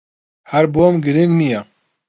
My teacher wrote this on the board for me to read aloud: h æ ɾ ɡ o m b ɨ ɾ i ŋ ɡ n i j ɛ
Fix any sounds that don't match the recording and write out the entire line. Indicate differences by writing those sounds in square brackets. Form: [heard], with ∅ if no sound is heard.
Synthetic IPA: h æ ɾ [b] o m [ɡ] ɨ ɾ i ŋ ɡ n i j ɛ